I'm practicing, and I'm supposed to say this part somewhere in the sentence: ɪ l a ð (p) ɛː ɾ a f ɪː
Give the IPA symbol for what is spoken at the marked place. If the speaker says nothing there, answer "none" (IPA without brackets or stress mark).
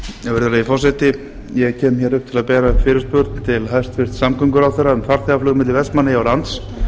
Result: p